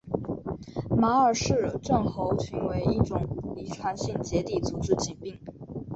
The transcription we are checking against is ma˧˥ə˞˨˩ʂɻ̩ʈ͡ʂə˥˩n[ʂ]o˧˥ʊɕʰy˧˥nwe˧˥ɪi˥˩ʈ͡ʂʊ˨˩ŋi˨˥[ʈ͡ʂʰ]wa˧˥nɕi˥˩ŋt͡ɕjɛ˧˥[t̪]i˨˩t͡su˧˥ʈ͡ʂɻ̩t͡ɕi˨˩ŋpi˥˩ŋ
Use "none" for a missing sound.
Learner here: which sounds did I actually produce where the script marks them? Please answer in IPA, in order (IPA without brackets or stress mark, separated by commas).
x, ʈ͡ʂʰ, t̪